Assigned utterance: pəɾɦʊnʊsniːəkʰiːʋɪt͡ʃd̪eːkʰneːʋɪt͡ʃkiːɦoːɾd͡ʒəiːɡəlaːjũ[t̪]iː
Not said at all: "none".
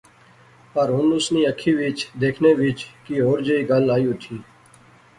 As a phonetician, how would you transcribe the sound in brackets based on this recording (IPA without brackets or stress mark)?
t̪ʰ